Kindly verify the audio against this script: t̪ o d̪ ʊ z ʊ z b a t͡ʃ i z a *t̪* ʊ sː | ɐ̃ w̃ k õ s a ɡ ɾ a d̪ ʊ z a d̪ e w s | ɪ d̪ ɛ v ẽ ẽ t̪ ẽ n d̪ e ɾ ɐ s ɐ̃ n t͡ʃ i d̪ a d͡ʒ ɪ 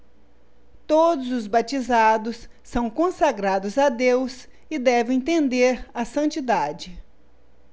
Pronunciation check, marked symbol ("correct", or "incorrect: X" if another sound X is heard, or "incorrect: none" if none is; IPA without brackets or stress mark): incorrect: d̪